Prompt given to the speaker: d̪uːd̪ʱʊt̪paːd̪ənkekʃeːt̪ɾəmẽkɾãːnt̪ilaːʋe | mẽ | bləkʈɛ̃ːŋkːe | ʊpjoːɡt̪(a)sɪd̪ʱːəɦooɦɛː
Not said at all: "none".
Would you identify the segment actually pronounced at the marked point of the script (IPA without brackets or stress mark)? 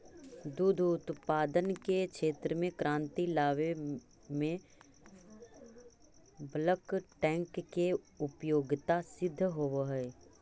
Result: a